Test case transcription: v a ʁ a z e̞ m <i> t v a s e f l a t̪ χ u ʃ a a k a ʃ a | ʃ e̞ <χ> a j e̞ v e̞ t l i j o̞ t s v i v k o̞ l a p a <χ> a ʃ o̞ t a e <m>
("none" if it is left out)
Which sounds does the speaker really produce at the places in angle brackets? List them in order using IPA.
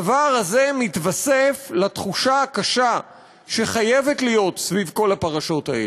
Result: i, χ, ʁ, none

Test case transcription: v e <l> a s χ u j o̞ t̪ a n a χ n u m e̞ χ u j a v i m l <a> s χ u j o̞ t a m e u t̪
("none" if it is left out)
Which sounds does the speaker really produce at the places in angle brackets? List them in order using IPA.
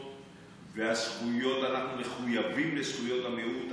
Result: none, e

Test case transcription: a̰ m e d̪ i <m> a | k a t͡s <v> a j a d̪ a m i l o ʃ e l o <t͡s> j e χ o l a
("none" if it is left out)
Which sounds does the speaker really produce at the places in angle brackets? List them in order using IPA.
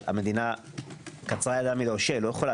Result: n, ʁ, none

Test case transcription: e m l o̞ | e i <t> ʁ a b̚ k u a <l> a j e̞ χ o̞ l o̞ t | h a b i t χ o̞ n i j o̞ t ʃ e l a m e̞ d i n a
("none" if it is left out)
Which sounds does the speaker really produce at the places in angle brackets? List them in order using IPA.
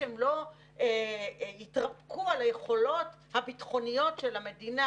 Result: t, l

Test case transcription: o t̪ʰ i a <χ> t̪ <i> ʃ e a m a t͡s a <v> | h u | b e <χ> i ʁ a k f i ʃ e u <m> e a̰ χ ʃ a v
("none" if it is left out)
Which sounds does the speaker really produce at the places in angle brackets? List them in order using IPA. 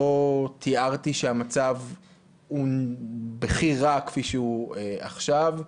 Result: ʁ, i, v, χ, none

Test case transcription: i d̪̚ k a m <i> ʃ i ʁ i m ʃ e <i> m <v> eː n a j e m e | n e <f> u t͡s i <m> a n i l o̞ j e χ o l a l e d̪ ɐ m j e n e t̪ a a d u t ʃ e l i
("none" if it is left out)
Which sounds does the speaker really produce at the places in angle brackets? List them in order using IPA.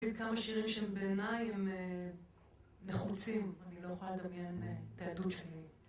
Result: a, e, b, χ, m

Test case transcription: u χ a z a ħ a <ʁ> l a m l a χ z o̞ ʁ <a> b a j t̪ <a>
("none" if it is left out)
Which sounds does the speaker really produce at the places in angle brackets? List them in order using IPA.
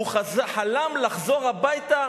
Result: none, a, a

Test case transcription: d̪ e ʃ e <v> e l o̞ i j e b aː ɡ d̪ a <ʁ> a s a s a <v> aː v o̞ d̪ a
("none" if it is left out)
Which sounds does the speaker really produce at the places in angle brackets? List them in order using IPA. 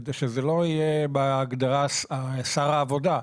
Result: z, ʁ, ʁ

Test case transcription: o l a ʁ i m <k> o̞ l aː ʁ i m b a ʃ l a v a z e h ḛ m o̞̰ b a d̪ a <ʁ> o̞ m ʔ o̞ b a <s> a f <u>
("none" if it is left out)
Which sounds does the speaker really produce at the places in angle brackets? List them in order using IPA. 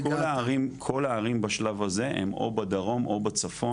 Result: kʰ, ʁ, t͡s, o

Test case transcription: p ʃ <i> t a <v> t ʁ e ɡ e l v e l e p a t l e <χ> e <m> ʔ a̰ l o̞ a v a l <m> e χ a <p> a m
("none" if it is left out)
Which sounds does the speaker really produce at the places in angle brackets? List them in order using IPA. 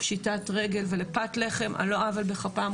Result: i, none, χ, m, b, p

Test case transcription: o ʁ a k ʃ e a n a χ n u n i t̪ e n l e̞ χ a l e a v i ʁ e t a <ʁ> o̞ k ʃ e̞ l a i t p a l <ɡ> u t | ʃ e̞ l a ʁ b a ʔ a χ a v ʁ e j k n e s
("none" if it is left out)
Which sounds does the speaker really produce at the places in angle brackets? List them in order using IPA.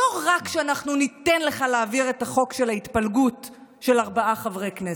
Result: χ, ɡ

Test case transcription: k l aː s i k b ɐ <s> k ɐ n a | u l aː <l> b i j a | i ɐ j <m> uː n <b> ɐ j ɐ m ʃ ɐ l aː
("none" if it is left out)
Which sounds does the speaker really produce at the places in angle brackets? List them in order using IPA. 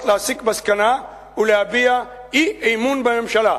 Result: s, none, m, b

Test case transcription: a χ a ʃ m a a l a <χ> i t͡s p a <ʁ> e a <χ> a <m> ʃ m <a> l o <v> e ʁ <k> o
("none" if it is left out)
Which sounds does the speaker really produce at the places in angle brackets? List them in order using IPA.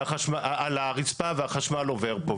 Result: ʁ, v, χ, none, a, v, p

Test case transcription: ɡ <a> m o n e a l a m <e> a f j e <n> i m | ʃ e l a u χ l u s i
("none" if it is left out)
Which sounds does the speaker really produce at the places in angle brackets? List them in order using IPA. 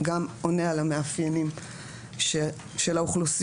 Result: a, e, n

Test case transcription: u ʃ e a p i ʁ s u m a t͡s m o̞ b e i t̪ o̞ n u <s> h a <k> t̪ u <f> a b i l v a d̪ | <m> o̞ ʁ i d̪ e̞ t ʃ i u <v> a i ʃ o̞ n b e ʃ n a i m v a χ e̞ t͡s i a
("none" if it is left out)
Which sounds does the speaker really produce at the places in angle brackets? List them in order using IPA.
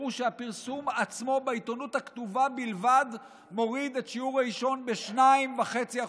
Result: t, k, v, m, ʁ

